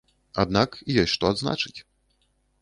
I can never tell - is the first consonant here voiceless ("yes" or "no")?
no